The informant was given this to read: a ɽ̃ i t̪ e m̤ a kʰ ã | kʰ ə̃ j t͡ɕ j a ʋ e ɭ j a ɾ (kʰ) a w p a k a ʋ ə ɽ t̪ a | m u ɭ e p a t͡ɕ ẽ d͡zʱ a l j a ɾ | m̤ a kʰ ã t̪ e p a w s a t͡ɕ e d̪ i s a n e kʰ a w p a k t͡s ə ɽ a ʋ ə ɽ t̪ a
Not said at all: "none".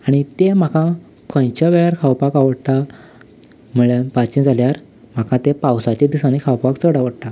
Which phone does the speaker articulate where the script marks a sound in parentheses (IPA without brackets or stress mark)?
kʰ